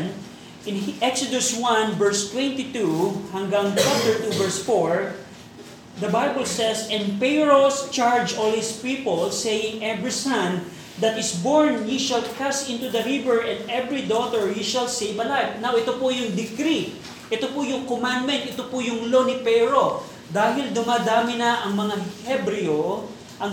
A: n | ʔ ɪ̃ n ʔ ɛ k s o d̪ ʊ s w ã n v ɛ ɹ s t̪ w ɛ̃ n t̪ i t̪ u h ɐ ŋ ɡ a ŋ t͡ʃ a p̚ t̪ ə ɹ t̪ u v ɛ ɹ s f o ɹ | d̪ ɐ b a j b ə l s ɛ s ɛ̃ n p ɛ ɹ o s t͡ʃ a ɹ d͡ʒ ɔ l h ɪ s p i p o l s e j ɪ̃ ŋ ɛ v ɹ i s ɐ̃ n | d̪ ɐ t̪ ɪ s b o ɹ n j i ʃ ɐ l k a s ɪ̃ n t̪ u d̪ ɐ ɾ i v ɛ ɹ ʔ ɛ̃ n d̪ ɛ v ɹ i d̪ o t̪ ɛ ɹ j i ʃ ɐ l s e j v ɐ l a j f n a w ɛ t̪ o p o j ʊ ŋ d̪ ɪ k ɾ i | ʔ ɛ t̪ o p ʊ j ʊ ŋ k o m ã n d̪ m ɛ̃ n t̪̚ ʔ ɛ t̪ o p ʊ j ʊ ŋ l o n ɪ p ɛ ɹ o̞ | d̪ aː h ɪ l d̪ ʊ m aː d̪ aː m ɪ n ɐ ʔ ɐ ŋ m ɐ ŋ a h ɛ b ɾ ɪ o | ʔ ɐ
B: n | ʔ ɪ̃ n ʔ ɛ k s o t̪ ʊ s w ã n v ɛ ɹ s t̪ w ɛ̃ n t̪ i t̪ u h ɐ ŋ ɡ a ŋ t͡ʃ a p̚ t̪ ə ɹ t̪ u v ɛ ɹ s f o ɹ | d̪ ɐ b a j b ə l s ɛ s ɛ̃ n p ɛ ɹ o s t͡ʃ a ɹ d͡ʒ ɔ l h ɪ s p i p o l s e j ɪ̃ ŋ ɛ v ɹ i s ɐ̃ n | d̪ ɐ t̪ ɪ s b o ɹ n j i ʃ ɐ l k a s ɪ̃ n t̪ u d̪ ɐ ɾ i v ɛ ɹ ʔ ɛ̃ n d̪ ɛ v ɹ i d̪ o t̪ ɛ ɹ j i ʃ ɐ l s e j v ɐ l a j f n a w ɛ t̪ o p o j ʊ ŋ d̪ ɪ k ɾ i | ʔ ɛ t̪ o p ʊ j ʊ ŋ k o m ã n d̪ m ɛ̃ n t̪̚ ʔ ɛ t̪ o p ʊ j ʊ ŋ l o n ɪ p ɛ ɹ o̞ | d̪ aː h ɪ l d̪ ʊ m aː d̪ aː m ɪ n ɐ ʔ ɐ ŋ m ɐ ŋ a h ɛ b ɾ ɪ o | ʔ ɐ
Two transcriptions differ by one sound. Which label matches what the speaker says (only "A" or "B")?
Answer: A